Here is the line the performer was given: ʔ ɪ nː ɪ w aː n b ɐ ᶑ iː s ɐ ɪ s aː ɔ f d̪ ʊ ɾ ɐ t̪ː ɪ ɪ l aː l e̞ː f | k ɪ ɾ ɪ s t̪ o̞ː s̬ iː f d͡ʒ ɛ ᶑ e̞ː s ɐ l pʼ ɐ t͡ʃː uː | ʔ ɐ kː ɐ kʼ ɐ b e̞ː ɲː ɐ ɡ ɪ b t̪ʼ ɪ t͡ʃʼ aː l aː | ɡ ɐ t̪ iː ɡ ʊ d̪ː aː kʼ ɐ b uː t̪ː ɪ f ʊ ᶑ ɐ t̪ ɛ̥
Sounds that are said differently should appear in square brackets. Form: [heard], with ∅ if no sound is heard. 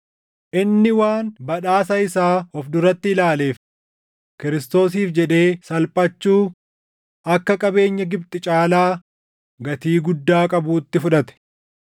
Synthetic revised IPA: ʔ ɪ nː ɪ w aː n b ɐ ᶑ [aː] s ɐ ɪ s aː ɔ f d̪ ʊ ɾ ɐ t̪ː ɪ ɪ l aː l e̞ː f | k ɪ ɾ ɪ s t̪ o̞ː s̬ iː f d͡ʒ ɛ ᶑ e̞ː s ɐ l pʼ ɐ t͡ʃː uː | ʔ ɐ kː ɐ kʼ ɐ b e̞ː ɲː ɐ ɡ ɪ b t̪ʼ ɪ t͡ʃʼ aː l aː | ɡ ɐ t̪ iː ɡ ʊ d̪ː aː kʼ ɐ b uː t̪ː ɪ f ʊ ᶑ ɐ t̪ ɛ̥